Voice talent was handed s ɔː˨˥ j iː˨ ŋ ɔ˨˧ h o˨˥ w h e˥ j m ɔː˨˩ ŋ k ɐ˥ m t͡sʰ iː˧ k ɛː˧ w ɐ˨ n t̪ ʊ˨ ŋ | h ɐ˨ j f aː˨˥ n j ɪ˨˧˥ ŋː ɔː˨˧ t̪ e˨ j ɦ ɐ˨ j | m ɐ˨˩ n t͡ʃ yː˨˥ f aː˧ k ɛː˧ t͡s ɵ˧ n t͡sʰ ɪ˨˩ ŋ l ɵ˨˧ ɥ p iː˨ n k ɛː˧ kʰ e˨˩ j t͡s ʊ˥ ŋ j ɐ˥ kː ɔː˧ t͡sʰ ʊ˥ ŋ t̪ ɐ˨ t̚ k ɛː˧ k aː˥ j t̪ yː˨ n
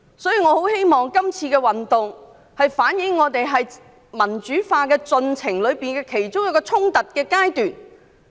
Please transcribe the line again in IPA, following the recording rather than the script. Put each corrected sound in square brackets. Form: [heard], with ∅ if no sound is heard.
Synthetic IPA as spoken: s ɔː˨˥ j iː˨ ŋ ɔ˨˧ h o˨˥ w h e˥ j m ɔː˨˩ ŋ k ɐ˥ m t͡sʰ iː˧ k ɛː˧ w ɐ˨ n t̪ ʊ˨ ŋ | h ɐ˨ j f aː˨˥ n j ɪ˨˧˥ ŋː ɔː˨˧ t̪ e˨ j ɦ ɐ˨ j | m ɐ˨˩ n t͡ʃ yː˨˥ f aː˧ k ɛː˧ t͡s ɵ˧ n t͡sʰ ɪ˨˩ ŋ l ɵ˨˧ ɥ p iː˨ n k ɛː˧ kʰ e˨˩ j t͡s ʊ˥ ŋ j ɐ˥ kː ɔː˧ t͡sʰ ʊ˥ ŋ t̪ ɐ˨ t̚ k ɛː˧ k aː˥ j t̪ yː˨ n